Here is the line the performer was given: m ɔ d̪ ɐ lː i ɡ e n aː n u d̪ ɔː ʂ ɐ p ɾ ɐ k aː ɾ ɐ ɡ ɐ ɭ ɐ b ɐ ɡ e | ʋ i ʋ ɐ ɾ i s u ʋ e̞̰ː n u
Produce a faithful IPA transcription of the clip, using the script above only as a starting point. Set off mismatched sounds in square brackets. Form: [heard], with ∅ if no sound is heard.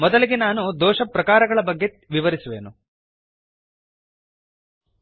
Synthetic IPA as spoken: m ɔ d̪ ɐ [l] i ɡ e n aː n u d̪ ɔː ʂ ɐ p ɾ ɐ k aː ɾ ɐ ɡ ɐ ɭ ɐ b ɐ [ɡː] e | ʋ i ʋ ɐ ɾ i s u ʋ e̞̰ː n u